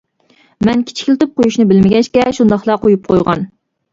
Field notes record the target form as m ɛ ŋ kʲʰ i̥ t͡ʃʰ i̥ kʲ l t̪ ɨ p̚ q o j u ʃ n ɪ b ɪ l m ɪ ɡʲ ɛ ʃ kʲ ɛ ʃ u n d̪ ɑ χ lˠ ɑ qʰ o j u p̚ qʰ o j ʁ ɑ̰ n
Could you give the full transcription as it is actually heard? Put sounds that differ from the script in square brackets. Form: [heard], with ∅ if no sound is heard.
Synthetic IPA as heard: m ɛ [n] kʲʰ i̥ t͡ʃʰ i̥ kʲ l t̪ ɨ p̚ q o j u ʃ n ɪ b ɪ l m ɪ ɡʲ ɛ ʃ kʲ ɛ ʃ u n d̪ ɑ χ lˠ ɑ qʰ o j u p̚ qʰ o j ʁ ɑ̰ n